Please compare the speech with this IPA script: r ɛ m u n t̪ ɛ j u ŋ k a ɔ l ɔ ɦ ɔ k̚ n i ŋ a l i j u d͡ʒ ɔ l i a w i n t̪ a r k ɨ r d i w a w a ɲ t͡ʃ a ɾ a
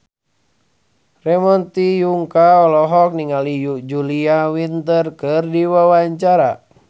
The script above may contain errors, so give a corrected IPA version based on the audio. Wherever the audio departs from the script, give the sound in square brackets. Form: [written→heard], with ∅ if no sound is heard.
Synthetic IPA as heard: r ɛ m [u→ɔ] n t̪ [ɛ→i] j u ŋ k a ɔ l ɔ ɦ ɔ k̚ n i ŋ a l i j u d͡ʒ [ɔ→u] l i a w i n t̪ [a→ə] r k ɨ r d i w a w a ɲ t͡ʃ a ɾ a